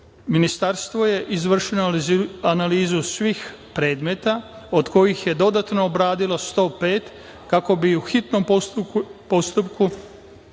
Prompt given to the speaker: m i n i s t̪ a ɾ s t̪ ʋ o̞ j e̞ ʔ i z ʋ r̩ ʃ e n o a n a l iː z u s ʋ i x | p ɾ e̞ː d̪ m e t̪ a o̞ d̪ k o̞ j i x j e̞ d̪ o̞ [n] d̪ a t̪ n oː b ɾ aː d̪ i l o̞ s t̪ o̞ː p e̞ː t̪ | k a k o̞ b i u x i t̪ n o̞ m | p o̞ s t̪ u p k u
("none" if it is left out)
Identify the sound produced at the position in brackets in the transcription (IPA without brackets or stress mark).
none